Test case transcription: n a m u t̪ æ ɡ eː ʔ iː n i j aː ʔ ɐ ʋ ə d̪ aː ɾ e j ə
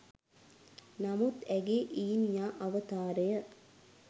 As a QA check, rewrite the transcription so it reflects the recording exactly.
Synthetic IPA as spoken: n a m u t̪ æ ɡ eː ʔ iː n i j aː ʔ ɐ ʋ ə t̪ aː ɾ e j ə